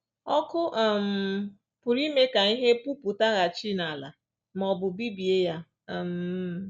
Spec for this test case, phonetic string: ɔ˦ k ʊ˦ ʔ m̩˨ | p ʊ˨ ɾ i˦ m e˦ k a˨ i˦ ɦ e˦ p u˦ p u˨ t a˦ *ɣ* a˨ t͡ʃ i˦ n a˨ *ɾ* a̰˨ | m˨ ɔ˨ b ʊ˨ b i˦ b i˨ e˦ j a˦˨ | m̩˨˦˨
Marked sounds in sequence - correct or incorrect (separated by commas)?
correct, incorrect